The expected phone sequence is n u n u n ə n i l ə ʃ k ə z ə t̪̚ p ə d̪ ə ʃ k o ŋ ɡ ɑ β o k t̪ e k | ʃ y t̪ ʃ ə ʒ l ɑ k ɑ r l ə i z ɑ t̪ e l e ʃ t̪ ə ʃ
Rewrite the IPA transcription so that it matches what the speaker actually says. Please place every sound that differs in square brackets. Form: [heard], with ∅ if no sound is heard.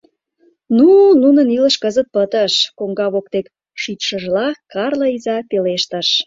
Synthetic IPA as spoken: n u n u n ə n i l ə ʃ k ə z ə t̪̚ p ə [t̪] ə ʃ k o ŋ ɡ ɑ β o k t̪ e k | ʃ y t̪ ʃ ə ʒ l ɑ k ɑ r l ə i z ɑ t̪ e l e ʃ t̪ ə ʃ